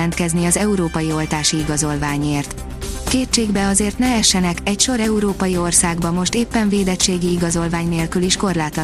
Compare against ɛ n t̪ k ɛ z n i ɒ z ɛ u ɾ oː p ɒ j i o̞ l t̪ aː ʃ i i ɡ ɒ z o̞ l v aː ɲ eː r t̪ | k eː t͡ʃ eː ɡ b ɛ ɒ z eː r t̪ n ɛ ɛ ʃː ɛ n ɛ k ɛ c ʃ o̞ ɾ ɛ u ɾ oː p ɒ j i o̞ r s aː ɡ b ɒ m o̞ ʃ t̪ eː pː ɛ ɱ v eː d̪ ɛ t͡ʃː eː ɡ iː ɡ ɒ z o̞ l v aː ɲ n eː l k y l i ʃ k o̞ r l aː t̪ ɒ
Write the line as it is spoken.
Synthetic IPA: ɛ n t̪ k ɛ z n i ɒ z ɛ u ɾ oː p ɒ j i o̞ l t̪ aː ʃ i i ɡ ɒ z o̞ l v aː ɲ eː r t̪ | k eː t͡ʃ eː ɡ b ɛ ɒ z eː r t̪ n ɛ ɛ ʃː ɛ n ɛ k ɛ c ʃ o̞ ɾ ɛ u ɾ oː p ɒ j i o̞ r s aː ɡ b ɒ m o̞ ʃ t̪ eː pː ɛ ɱ v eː d̪ ɛ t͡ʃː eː ɡ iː ɡ ɒ z o̞ l v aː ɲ n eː l k y l i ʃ k o̞ r l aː t̪ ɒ